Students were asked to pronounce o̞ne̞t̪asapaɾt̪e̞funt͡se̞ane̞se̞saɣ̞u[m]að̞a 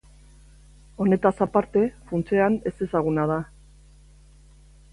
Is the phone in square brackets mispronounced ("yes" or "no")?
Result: yes